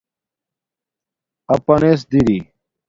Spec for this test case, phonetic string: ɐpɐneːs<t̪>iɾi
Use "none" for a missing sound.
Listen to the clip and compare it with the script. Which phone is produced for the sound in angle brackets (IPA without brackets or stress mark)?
d̪